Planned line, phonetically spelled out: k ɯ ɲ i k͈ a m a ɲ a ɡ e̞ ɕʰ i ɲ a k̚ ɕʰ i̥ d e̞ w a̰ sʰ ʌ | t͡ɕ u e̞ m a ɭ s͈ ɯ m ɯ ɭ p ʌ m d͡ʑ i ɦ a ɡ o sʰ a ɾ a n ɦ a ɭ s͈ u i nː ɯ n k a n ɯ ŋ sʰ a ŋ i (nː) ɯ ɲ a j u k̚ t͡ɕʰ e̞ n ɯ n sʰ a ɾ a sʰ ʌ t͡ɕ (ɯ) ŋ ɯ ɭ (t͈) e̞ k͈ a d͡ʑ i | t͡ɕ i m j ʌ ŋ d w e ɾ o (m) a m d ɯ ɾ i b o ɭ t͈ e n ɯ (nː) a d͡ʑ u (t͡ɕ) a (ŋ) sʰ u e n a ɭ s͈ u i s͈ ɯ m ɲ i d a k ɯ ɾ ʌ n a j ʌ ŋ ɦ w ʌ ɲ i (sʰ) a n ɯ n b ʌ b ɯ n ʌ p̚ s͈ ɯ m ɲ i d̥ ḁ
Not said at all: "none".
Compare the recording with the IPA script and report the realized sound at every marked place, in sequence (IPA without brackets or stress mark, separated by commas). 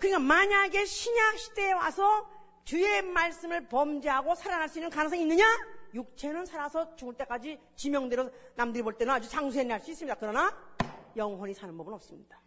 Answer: nː, u, t͈, n, n, t͡ɕ, ŋ, sʰ